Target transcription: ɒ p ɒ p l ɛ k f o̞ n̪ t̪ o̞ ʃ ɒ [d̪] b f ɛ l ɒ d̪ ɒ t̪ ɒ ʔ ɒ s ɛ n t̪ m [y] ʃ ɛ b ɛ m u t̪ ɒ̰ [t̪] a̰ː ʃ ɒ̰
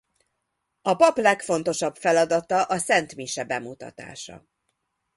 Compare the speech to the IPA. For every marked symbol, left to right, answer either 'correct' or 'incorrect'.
incorrect, incorrect, correct

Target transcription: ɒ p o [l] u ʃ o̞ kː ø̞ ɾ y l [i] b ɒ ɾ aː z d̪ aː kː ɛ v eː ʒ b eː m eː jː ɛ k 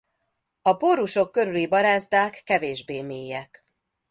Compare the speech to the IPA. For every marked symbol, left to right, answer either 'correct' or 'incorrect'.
incorrect, correct

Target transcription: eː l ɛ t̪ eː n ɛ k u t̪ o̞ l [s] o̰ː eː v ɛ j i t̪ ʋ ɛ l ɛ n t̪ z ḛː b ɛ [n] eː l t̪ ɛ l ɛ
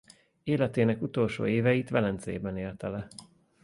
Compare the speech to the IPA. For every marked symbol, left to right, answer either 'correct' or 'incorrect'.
incorrect, correct

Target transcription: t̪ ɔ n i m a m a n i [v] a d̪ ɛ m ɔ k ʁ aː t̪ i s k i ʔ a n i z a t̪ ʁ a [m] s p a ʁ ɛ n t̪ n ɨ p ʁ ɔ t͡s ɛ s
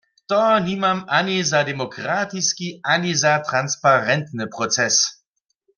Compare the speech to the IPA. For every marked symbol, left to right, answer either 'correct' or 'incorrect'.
incorrect, incorrect

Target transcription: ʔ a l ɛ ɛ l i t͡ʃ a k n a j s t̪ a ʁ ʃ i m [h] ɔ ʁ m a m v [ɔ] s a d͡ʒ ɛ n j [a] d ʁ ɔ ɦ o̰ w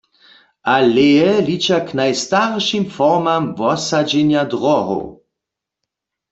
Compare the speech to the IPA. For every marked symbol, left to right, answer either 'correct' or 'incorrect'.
incorrect, correct, correct

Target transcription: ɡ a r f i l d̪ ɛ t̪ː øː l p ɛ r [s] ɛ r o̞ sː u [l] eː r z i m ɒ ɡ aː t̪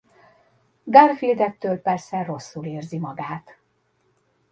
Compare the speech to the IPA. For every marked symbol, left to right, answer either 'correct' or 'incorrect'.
correct, correct

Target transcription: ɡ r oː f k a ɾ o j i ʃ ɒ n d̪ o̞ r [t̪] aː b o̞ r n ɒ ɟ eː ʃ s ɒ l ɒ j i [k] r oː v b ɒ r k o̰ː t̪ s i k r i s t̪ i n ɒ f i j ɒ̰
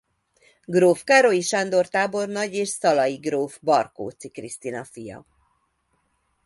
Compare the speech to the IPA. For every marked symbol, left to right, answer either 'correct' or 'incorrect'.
correct, incorrect

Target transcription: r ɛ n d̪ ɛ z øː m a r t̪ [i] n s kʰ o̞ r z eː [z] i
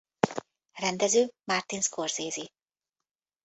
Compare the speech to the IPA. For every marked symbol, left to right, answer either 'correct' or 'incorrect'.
correct, correct

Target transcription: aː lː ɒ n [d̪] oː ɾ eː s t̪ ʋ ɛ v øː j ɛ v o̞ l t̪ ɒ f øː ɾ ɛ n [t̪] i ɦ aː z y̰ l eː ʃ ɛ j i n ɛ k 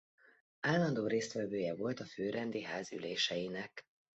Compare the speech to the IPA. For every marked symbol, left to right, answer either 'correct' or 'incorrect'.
correct, incorrect

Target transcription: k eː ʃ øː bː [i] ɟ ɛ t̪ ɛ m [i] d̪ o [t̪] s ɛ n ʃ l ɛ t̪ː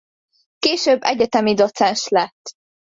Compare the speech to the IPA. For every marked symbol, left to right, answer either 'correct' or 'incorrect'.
incorrect, correct, correct

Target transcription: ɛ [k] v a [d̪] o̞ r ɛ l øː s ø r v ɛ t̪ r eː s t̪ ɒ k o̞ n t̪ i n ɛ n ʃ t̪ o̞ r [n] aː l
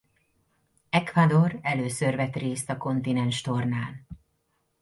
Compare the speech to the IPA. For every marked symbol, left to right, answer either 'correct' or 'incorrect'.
correct, correct, correct

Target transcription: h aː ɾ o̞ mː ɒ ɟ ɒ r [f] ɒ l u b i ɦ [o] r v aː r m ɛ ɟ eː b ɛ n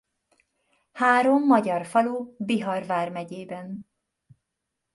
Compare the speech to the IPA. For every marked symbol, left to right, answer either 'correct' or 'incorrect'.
correct, incorrect

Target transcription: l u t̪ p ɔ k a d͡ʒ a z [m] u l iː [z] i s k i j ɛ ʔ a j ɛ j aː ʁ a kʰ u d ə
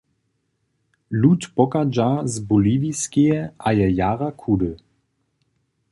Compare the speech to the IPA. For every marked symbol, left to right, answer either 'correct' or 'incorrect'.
incorrect, incorrect

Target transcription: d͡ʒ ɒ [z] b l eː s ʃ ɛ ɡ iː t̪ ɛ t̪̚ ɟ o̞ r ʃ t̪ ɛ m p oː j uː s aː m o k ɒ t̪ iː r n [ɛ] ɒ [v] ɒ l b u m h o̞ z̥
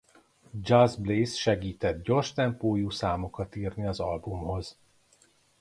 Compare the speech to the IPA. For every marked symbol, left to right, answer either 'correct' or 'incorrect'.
correct, incorrect, incorrect

